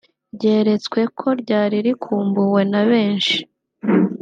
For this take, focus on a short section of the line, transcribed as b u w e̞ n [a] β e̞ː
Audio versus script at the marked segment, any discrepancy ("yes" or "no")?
no